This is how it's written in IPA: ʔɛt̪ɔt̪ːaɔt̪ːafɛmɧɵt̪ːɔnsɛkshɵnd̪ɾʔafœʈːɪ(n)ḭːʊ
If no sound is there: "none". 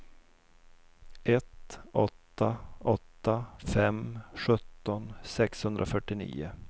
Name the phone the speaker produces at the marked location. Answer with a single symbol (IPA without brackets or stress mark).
n